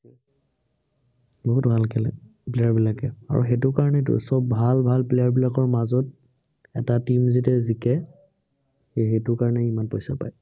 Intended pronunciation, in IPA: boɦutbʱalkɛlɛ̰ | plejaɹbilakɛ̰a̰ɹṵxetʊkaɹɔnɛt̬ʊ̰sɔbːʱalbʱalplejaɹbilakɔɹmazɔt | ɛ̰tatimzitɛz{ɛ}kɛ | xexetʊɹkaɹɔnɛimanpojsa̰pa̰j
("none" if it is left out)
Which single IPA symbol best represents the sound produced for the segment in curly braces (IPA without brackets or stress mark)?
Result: i